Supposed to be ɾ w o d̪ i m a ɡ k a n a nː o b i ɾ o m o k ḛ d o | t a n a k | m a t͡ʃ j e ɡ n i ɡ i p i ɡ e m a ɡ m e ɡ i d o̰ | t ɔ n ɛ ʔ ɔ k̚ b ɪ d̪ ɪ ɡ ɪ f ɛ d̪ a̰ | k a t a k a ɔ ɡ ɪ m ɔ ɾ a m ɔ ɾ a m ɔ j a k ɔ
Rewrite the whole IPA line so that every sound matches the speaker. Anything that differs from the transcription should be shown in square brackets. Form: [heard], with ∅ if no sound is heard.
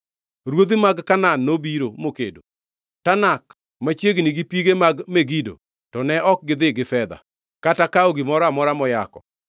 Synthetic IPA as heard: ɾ w o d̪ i m a ɡ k a n a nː o b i ɾ o m o k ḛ d o | t a n a k | m a t͡ʃ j e ɡ n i ɡ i p i ɡ e m a ɡ m e ɡ i d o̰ | t ɔ n ɛ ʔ ɔ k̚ [ɡ] ɪ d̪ ɪ ɡ ɪ f ɛ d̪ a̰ | k a t a k a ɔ ɡ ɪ m ɔ ɾ a m ɔ ɾ a m ɔ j a k ɔ